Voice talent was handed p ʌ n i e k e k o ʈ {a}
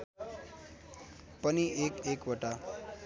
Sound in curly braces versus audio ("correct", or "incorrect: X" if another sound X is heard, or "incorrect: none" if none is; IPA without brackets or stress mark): correct